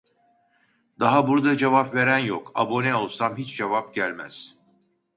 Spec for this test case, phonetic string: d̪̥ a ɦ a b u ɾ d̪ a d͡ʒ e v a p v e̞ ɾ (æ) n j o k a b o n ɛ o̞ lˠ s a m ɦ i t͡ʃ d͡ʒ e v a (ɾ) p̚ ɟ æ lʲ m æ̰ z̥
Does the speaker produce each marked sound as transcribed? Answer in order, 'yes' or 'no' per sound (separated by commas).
yes, no